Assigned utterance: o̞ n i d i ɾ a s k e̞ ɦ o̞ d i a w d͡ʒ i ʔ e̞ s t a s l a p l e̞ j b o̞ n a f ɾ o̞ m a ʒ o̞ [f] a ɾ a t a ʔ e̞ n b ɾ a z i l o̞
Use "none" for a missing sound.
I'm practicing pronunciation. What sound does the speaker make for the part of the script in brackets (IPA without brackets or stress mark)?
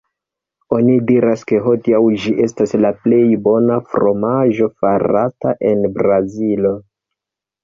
f